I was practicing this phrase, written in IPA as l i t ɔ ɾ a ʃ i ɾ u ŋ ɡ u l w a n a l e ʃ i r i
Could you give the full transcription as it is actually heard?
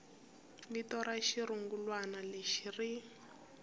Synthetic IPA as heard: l i t ɔ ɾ a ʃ i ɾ u ŋ ɡ u l w a n a l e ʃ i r i